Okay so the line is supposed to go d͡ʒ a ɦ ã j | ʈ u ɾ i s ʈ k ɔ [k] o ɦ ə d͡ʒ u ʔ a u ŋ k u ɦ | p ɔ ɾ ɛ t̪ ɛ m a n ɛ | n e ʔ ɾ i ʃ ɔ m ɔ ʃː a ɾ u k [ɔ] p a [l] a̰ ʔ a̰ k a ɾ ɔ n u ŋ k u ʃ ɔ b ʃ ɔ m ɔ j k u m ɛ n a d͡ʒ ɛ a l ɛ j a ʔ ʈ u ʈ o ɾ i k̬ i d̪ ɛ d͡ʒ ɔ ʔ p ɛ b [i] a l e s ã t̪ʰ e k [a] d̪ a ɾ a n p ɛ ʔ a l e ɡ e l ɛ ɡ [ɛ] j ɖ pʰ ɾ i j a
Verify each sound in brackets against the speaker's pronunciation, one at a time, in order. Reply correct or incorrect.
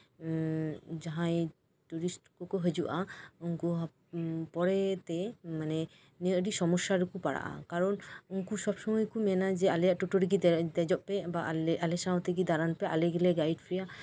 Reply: correct, incorrect, incorrect, incorrect, incorrect, incorrect

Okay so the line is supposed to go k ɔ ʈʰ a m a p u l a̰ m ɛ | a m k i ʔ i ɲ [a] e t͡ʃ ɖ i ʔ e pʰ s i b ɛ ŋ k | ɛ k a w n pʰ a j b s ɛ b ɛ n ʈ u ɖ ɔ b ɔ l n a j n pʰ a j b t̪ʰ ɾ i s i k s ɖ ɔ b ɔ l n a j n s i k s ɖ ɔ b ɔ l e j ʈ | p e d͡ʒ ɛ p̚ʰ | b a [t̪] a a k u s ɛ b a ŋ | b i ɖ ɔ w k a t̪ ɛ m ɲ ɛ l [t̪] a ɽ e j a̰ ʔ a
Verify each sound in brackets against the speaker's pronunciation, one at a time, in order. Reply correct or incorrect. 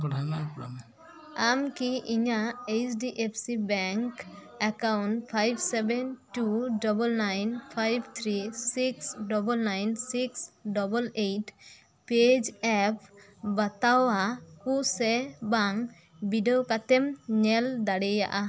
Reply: correct, correct, incorrect

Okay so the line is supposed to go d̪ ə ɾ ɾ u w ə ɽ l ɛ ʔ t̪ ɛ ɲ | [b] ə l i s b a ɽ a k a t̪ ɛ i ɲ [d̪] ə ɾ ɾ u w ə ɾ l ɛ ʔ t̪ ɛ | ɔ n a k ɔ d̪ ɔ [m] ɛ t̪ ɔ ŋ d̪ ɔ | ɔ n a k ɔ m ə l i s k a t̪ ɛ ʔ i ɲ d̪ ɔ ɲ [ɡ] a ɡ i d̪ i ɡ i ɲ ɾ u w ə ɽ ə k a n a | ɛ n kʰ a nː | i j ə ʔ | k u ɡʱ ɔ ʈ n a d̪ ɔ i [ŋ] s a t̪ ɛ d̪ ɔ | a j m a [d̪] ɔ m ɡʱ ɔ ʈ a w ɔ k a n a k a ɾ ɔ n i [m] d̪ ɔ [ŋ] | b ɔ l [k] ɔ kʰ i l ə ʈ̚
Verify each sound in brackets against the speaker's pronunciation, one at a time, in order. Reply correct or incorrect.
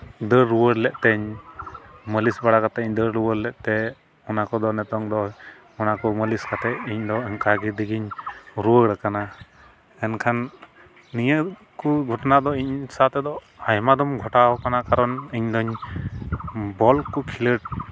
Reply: incorrect, correct, incorrect, incorrect, incorrect, correct, incorrect, incorrect, correct

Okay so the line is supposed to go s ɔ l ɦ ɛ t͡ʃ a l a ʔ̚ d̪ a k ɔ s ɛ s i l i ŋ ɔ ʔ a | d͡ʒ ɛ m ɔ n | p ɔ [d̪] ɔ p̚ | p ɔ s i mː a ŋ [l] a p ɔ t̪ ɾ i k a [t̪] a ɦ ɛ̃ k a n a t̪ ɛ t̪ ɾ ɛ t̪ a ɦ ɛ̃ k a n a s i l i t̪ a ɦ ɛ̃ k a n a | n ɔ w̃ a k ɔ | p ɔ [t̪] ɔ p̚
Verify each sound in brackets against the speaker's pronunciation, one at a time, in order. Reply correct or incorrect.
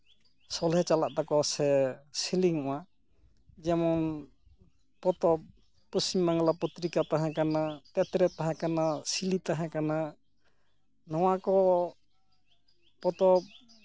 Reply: incorrect, correct, correct, correct

